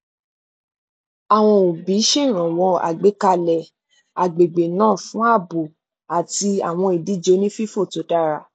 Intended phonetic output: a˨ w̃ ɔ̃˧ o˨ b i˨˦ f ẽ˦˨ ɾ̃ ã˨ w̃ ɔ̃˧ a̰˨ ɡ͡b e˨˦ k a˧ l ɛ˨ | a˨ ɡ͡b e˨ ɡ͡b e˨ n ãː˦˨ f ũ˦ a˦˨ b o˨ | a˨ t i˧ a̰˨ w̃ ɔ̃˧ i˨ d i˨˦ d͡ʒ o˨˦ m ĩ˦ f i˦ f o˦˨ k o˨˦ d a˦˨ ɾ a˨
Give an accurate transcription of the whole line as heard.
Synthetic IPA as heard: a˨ w̃ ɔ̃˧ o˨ b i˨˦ ʃ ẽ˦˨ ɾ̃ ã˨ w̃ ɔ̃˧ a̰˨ ɡ͡b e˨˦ k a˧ l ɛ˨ | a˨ ɡ͡b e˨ ɡ͡b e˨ n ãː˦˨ f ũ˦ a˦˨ b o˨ | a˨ t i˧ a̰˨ w̃ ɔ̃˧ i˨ d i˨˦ d͡ʒ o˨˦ n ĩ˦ f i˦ f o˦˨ t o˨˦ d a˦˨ ɾ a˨